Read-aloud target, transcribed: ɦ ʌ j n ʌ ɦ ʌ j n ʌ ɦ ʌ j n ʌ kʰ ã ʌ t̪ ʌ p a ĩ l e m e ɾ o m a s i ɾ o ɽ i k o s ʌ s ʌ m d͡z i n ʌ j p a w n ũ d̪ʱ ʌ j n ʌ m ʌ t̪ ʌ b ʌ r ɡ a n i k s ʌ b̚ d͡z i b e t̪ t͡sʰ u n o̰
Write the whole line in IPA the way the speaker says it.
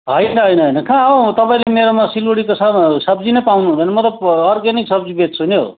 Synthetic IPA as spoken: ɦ ʌ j n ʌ ɦ ʌ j n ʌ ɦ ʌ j n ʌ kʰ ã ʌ t̪ ʌ p a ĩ l e m e ɾ o m a s i l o ɽ i k o s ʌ s ʌ b d͡z i n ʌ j p a w n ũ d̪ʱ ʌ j n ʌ m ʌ t̪ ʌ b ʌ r ɡ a n i k s ʌ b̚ d͡z i b e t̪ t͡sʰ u n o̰